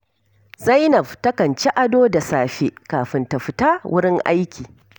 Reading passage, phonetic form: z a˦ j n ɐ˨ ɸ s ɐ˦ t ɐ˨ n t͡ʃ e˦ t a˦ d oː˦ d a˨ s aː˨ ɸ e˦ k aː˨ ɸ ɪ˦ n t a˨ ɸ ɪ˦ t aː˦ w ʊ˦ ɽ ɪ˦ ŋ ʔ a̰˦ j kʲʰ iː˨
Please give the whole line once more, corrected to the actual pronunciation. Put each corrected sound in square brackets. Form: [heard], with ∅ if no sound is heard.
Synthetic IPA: z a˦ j n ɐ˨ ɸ [t] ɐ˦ [k] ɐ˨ n t͡ʃ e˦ [ʔ] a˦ d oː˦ d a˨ s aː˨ ɸ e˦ k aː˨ ɸ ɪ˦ n t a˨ ɸ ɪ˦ t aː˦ w ʊ˦ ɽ ɪ˦ ŋ ʔ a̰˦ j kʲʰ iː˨